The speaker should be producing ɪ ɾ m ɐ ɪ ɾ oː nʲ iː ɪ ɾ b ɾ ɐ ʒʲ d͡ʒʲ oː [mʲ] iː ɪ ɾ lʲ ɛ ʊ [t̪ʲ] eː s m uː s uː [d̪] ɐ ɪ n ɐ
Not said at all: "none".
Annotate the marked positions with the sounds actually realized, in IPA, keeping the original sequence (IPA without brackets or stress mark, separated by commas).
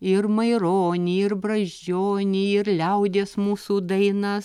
nʲ, d̪ʲ, d̪